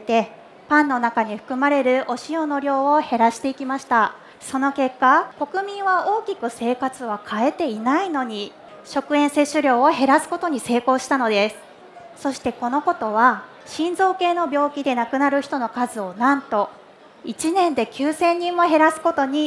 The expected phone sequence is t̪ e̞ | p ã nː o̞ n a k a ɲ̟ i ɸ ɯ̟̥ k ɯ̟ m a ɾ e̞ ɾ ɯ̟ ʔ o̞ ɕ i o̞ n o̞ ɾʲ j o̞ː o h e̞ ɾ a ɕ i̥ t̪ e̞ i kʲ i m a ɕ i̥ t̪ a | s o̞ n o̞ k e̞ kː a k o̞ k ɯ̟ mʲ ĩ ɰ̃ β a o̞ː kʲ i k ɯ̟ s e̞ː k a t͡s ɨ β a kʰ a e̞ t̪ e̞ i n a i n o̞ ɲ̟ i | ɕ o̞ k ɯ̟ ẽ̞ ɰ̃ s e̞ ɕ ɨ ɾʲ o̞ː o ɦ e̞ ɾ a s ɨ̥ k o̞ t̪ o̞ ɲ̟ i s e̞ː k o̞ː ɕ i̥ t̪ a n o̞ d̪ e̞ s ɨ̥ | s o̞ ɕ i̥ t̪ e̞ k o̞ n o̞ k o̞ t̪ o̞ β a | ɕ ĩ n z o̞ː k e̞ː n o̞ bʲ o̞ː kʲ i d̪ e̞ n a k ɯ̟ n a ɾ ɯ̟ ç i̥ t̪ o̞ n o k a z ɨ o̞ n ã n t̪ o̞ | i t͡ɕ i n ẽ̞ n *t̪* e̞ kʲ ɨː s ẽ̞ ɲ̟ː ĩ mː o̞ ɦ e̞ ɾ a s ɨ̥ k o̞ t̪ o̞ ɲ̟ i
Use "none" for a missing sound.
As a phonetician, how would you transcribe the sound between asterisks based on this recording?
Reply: d̪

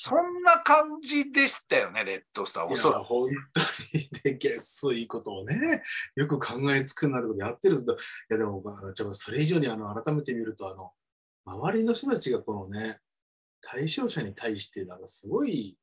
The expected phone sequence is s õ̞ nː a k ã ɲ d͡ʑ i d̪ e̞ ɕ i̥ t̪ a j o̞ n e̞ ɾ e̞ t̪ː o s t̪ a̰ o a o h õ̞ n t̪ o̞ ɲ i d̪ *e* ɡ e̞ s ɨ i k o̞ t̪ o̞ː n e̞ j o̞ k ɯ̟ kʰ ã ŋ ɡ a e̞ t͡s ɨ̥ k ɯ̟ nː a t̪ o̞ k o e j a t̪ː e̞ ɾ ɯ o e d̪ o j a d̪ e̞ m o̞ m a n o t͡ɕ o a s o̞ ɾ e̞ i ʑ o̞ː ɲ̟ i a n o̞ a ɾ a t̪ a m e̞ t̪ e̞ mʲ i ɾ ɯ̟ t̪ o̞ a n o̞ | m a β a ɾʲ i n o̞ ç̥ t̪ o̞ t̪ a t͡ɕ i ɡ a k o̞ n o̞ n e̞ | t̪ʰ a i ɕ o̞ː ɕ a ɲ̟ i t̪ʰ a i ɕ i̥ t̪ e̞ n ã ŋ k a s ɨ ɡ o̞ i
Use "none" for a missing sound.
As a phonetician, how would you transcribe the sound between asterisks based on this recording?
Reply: e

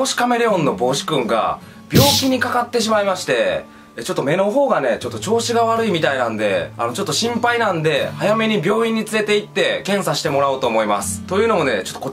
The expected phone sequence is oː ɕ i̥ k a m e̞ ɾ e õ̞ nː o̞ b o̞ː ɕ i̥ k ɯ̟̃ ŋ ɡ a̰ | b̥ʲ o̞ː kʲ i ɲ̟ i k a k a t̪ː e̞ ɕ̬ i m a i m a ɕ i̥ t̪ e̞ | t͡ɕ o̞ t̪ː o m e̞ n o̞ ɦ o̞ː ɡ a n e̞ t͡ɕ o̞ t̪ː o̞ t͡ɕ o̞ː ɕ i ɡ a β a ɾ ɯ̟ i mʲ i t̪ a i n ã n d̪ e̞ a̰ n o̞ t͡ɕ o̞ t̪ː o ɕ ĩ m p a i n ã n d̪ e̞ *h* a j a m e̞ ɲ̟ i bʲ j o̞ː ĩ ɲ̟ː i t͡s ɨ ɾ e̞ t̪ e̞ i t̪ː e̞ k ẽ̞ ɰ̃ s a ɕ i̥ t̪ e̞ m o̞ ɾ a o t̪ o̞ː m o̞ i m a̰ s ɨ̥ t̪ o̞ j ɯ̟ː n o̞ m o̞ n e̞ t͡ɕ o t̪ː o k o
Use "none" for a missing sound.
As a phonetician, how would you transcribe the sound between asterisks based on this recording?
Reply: h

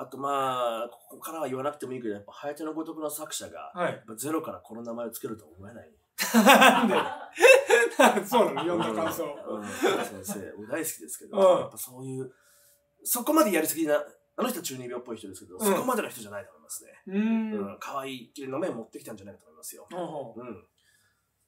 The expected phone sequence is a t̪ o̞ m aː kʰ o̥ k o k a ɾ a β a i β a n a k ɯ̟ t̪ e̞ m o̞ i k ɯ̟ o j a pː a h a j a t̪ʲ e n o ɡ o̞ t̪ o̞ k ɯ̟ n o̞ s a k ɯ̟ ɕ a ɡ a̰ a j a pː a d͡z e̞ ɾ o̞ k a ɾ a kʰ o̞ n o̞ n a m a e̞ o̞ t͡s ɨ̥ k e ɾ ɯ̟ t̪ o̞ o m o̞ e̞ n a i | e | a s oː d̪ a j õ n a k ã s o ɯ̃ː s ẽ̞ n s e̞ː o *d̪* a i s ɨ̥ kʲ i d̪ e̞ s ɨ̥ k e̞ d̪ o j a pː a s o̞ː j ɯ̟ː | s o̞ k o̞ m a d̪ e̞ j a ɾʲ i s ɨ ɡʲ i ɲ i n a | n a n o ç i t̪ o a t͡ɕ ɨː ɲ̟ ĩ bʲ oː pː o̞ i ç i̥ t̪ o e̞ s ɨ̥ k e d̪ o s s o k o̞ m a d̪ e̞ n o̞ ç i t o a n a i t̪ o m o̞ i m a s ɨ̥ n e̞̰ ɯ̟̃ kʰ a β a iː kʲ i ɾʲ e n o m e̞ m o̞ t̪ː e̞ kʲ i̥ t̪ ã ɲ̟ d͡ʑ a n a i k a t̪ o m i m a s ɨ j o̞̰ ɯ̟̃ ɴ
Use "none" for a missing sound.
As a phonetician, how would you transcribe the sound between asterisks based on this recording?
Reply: d̪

